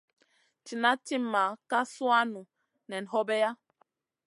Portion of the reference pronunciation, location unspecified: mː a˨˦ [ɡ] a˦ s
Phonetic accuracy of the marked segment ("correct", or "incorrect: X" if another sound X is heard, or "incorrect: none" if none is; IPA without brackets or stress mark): incorrect: k